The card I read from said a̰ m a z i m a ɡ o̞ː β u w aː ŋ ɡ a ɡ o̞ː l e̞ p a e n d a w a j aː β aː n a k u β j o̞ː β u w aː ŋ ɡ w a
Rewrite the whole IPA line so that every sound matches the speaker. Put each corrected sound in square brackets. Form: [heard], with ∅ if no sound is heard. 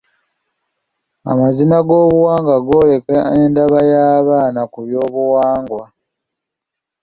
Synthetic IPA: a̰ m a z i [n] a ɡ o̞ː β u w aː ŋ ɡ a ɡ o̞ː l e̞ [k] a e n d a [β] a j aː β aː n a k u β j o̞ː β u w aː ŋ ɡ w a